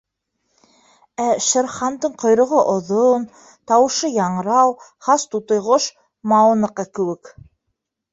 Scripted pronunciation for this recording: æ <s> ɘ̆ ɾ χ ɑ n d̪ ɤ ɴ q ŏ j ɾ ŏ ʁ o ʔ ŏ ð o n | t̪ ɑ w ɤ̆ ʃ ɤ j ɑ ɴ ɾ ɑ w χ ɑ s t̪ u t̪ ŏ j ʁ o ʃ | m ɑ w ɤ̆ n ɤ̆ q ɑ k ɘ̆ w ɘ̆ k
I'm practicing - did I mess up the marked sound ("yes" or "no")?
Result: yes